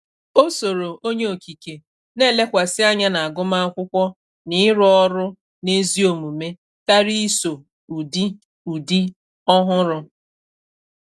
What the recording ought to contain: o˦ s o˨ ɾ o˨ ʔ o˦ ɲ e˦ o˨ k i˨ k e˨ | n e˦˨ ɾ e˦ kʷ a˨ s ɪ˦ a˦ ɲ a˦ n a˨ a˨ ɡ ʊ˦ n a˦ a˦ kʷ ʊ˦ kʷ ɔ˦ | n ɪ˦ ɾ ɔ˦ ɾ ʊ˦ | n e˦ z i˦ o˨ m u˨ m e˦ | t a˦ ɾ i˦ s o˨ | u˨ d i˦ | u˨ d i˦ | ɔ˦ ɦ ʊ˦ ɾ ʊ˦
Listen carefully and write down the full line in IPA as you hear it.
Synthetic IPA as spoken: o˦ s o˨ ɾ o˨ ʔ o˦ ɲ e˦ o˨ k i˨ k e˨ | n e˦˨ l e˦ kʷ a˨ s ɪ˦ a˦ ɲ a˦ n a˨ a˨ ɡ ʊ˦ m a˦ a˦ kʷ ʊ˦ kʷ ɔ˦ | n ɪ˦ ɾ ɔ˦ ɾ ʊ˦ | n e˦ z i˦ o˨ m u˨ m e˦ | t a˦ ɾ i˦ s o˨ | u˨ d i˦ | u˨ d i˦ | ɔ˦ ɦ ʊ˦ ɾ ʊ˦